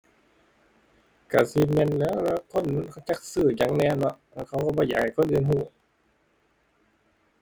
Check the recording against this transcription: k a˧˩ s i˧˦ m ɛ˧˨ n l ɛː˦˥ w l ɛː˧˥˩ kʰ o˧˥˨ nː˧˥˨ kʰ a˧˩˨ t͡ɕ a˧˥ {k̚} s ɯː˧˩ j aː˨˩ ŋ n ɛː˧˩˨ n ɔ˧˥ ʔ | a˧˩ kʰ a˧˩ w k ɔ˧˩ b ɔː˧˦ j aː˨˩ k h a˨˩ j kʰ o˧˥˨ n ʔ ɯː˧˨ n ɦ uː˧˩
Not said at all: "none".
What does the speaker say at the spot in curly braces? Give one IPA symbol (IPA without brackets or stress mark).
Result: k̚